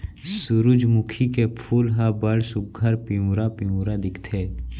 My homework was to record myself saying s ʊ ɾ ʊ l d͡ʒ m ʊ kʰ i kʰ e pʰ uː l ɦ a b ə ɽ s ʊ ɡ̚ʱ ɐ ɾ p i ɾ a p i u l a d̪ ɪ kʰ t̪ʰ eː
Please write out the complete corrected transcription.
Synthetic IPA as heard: s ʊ ɾ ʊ d͡ʒ m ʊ kʰ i k e pʰ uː l ɦ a b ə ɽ s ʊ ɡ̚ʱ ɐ ɾ p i ɾ a p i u ɾ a d̪ ɪ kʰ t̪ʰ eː